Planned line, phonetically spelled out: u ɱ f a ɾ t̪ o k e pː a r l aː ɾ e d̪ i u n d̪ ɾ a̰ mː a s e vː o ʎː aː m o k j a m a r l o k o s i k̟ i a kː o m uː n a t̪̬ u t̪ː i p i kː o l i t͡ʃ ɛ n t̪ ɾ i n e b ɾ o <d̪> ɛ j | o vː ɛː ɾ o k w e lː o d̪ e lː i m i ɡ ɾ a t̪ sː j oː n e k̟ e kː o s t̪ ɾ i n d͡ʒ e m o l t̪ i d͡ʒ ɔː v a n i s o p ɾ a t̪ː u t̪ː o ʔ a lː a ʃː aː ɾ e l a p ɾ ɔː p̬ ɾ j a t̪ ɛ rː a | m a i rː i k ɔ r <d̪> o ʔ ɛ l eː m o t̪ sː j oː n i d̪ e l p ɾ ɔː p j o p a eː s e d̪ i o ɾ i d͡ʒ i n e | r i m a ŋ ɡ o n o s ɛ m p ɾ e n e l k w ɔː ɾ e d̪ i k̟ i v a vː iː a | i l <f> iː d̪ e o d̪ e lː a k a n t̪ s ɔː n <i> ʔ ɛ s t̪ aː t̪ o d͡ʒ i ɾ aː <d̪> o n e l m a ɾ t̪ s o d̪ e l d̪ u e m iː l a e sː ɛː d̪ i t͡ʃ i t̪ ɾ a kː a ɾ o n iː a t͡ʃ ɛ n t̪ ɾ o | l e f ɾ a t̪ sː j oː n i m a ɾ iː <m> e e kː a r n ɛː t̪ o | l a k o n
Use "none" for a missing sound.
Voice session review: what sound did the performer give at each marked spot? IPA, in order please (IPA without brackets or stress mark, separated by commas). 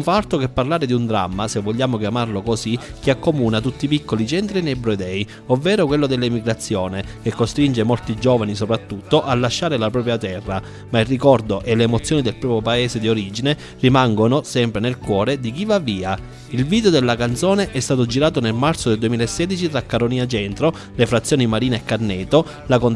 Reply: d̪, d̪, v, e, t̪, n